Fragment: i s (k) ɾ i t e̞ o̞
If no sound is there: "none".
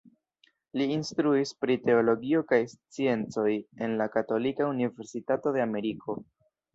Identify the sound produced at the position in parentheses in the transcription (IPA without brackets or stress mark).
p